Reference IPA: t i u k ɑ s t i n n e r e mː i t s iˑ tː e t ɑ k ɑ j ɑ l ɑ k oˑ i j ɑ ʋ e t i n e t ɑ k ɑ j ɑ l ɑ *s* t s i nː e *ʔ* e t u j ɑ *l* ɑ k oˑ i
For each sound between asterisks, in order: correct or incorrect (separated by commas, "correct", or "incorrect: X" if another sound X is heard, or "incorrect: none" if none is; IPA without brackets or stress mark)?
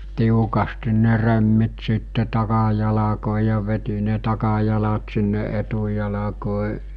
incorrect: none, correct, correct